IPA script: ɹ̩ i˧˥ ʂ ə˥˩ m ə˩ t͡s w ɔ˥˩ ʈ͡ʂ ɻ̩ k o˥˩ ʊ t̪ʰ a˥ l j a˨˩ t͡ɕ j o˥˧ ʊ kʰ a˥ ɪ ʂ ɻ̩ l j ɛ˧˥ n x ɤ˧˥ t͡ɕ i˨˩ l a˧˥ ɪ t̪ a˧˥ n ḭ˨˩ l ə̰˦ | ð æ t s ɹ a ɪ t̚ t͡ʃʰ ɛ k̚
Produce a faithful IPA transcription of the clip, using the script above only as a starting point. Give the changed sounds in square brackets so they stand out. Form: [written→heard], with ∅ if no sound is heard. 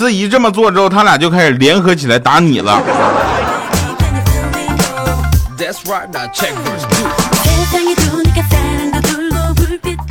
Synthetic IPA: ɹ̩ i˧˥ [ʂ→ʈ͡ʂ] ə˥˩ m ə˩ t͡s w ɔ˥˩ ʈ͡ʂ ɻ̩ [k→x] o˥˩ ʊ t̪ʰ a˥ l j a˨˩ t͡ɕ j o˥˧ ʊ kʰ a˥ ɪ ʂ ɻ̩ l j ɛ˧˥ n x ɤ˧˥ [t͡ɕ→t͡ɕʰ] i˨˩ l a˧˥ ɪ t̪ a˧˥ n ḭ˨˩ l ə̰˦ | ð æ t s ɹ a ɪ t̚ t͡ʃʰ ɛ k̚